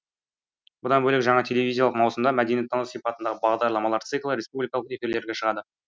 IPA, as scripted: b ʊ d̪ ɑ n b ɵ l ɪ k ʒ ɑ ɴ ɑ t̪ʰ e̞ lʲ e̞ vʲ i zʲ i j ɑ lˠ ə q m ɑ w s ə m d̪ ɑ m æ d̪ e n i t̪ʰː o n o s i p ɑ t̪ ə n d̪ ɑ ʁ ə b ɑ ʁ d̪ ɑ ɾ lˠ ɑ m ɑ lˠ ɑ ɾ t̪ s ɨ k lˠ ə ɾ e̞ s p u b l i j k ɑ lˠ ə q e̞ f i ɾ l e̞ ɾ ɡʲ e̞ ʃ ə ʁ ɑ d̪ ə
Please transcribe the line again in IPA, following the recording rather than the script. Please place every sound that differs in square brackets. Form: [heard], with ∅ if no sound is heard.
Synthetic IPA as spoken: b ʊ d̪ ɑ n b ɵ l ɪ k ʒ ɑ ɴ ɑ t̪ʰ e̞ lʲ e̞ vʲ i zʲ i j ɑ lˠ ə q m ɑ w s ə m d̪ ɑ m æ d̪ e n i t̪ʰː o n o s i p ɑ t̪ ə n d̪ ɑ ʁ ə b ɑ ʁ d̪ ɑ ɾ lˠ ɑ m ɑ lˠ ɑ ɾ t̪ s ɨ k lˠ ə ɾ e̞ s p u b l i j k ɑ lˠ ə q e̞ f i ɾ l e̞ ɾ ɡʲ e̞ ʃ ə ʁ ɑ d̪ ə